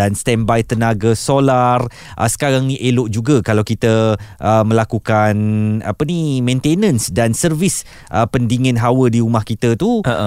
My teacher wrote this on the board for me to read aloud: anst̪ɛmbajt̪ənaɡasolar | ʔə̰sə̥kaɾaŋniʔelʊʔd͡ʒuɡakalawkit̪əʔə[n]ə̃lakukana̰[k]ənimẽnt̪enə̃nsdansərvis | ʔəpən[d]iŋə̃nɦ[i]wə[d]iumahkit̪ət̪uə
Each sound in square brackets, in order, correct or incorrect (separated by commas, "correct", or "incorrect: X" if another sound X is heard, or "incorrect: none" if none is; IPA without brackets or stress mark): incorrect: m, incorrect: p, correct, incorrect: a, correct